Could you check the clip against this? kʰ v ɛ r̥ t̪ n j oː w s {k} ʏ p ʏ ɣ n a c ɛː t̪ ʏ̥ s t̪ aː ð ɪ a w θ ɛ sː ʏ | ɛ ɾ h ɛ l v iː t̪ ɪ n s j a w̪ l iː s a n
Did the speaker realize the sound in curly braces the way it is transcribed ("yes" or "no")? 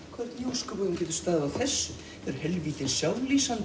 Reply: yes